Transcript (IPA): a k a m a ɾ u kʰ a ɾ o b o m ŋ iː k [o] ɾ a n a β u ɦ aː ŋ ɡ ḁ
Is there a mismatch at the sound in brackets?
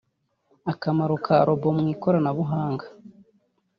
no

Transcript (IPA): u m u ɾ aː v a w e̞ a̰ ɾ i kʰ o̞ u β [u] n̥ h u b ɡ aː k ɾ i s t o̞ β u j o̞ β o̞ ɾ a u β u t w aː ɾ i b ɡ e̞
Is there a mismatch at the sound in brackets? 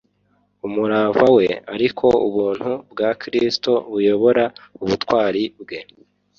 yes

